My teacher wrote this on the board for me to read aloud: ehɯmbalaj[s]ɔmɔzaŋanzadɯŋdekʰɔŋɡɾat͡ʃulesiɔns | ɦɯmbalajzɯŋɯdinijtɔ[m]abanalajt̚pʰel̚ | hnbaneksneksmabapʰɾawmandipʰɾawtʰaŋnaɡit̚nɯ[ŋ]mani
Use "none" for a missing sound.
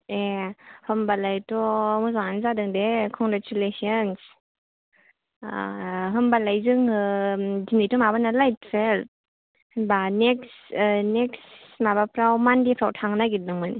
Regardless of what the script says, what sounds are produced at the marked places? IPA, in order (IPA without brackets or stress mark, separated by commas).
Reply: t, m, ŋ